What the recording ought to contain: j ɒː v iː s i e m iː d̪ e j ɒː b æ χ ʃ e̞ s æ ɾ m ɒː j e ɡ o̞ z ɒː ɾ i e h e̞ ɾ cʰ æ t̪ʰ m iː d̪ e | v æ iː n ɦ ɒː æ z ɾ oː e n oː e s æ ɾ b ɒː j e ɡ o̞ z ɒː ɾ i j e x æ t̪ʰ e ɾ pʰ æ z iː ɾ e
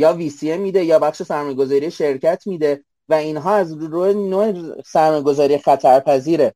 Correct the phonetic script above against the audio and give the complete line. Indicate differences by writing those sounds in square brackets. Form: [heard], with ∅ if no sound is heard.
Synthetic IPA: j ɒː v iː s i e m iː d̪ e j ɒː b æ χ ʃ e̞ s æ ɾ m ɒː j e ɡ o̞ z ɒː ɾ i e [ʃ] e̞ ɾ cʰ æ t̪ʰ m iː d̪ e | v æ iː n ɦ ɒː æ z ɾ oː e n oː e s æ ɾ [m] ɒː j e ɡ o̞ z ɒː ɾ i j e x æ t̪ʰ [æ] ɾ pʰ æ z iː ɾ e